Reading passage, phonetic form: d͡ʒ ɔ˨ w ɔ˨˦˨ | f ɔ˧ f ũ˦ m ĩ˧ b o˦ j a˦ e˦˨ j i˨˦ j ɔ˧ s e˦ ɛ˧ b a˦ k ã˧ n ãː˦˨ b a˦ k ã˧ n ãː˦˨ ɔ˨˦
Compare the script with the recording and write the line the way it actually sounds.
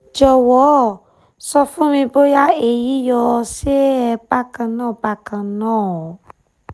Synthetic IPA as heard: d͡ʒ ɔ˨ w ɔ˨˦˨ | s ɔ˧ f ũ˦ m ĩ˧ b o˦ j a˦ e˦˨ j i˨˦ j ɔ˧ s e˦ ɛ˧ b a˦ k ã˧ n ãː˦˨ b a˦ k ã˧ n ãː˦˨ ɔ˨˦